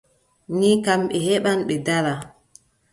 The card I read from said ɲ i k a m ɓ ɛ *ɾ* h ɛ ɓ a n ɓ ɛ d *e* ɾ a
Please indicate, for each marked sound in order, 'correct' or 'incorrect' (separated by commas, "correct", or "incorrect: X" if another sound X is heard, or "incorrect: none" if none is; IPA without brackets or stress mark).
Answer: incorrect: none, incorrect: a